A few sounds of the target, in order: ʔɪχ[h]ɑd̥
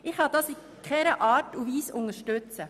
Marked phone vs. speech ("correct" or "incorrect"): correct